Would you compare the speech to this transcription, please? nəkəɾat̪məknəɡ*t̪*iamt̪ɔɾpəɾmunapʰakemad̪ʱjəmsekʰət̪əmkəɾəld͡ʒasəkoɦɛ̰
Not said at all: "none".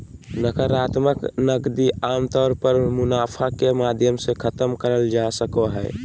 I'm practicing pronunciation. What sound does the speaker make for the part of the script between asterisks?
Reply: d̪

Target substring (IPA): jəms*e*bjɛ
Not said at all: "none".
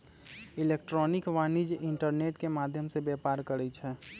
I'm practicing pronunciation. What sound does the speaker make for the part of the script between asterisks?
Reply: e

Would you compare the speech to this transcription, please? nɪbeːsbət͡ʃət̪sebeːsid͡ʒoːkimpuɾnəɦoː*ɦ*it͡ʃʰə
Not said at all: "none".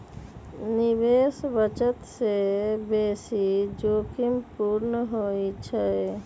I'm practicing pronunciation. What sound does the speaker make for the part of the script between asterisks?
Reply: none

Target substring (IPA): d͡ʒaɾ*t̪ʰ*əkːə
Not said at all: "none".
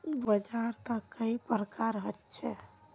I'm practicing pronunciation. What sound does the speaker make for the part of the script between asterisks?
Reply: t̪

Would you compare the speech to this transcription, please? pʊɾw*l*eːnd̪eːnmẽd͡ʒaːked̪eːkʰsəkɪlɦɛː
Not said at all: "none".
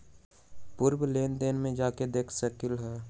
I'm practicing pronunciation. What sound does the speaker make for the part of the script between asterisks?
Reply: l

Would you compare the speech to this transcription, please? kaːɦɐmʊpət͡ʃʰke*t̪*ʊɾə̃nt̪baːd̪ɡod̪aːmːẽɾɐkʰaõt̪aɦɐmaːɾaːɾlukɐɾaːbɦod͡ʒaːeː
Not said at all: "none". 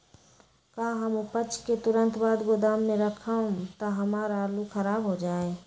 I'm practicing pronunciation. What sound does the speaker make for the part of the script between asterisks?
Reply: t̪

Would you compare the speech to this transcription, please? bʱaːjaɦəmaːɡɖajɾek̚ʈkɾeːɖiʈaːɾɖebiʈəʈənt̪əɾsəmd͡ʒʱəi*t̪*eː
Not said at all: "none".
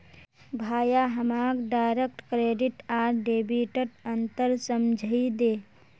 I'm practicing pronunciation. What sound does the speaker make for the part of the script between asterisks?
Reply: d̪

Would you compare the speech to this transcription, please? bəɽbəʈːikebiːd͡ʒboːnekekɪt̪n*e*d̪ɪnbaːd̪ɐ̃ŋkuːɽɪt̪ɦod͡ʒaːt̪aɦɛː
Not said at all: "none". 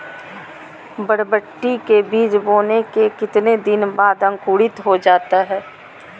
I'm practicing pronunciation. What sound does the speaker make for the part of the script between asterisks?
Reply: e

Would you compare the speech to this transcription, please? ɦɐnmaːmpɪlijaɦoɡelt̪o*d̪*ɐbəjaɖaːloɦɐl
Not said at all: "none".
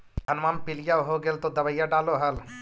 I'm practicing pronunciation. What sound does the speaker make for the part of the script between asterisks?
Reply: d̪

